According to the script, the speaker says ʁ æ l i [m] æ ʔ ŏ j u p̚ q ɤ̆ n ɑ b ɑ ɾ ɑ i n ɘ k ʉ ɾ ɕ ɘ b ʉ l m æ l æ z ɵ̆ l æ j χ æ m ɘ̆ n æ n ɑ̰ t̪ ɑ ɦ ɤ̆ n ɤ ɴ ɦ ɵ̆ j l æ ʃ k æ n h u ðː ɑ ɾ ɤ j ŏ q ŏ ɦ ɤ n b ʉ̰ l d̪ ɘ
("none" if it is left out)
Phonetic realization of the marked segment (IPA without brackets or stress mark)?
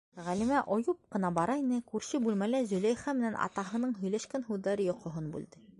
m